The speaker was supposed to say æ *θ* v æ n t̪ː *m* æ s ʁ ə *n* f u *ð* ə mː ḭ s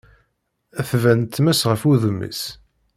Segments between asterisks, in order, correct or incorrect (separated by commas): correct, correct, incorrect, correct